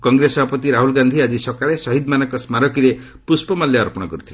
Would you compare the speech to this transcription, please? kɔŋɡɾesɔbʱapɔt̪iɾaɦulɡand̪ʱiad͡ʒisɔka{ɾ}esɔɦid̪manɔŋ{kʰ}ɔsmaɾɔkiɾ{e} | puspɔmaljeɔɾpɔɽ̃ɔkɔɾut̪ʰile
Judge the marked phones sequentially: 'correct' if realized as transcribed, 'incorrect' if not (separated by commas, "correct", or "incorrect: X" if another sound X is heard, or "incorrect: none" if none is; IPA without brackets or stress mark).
incorrect: ɭ, incorrect: k, correct